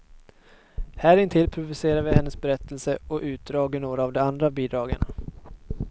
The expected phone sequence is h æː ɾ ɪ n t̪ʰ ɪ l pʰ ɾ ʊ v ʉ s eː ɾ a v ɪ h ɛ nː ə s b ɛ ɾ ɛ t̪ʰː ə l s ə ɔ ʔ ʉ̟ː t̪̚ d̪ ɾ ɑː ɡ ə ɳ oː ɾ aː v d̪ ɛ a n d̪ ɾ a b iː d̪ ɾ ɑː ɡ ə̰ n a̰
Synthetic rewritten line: h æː ɾ ɪ n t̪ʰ ɪ l pʰ ɾ ʊ v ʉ s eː ɾ a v ɪ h ɛ nː ə s b ɛ ɾ ɛ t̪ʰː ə l s ə ɔ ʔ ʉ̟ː t̪̚ d̪ ɾ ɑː ɡ ə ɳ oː ɾ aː v d̪ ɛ a n d̪ ɾ a b iː d̪ ɾ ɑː ɡ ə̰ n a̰

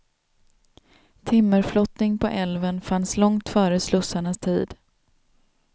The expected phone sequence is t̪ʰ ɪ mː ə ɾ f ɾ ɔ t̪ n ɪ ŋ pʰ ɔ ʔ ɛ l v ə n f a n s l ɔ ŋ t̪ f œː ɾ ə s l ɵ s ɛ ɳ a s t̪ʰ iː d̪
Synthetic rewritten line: t̪ʰ ɪ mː ə ɾ f l ɔ t̪ n ɪ ŋ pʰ ɔ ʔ ɛ l v ə n f a n s l ɔ ŋ t̪ f œː ɾ ə s l ɵ s a ɳ a s t̪ʰ iː d̪

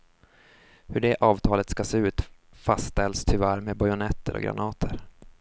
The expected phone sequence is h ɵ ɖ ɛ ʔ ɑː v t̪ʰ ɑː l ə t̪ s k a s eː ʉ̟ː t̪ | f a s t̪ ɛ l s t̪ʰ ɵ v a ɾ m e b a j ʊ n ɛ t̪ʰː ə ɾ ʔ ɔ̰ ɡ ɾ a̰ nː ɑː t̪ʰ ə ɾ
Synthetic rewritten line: h ɵ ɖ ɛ ʔ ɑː v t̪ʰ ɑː l ə t̪ s k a s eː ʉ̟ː t̪ | f a s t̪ ɛ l s t̪ʰ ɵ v æ ɾ m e b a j ʊ n ɛ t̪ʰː ə ɾ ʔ ɔ̰ ɡ ɾ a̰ n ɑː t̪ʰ ə ɾ

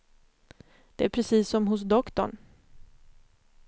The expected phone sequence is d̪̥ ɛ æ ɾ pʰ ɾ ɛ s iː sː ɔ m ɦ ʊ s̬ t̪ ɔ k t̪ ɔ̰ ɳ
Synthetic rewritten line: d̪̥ ɛ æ ɾ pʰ ɾ ɛ s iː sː ɔ m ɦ ʊ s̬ d̪ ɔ k t̪ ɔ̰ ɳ

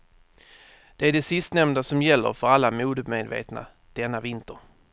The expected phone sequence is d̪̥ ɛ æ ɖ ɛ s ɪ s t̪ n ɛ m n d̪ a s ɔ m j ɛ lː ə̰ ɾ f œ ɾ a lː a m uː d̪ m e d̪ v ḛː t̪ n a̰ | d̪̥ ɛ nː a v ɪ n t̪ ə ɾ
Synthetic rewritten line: d̪̥ ɛ æ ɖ ɛ s ɪ s t̪ n ɛ m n d̪ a s ɔ m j ɛ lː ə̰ ɾ f œ ɾ a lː a m uː d̪ m e d̪ v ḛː t̪ n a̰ | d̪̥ ɛ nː a v ɪ n t̪ ə ɾ

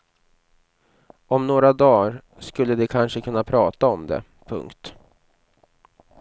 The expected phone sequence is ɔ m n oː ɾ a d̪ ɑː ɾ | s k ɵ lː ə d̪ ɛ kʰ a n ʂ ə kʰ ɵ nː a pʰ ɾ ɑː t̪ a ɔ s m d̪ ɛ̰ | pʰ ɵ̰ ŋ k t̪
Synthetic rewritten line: ɔ m n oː ɾ a d̪ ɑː ɾ | s k ɵ lː ə d̪ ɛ kʰ a n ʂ ə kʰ ɵ nː a pʰ ɾ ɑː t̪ a ɔ m d̪ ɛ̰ | pʰ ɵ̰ ŋ k t̪

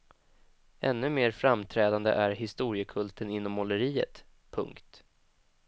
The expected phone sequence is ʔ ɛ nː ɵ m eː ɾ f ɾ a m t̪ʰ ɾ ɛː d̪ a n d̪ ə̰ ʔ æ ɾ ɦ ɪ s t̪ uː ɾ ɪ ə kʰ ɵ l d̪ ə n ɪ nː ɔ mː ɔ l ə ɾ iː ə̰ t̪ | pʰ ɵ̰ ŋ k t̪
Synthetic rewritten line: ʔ ɛ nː ɵ m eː ɾ f ɾ a m t̪ʰ ɾ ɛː d̪ a n d̪ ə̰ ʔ æ ɾ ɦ ɪ s t̪ uː ɾ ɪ ə kʰ ɵ l t̪ ə n ɪ nː ɔ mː ɔ l ə ɾ iː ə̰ t̪ | pʰ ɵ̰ ŋ k t̪

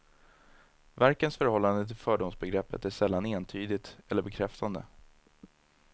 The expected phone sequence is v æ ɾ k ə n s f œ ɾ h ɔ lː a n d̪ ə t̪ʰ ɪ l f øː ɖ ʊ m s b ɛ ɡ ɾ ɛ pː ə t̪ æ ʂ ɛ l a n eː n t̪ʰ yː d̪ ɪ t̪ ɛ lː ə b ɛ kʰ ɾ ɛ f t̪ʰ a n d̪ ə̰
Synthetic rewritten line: v æ ɾ k ə n s f œ ɾ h ɔ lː a n d̪ ə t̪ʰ ɪ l f œː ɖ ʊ m s b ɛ ɡ ɾ ɛ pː ə t̪ æ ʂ ɛ lː a n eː n t̪ʰ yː d̪ ɪ t̪ ɛ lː ə b ɛ kʰ ɾ ɛ f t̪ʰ a n d̪ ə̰

